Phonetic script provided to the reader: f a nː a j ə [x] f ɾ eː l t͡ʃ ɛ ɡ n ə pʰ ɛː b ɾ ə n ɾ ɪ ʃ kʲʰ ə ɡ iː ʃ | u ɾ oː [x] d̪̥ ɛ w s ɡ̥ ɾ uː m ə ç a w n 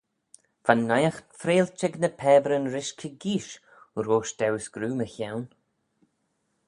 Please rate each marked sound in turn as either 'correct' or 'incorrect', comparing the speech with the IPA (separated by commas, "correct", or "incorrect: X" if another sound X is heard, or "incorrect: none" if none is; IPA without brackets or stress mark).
correct, incorrect: ʃ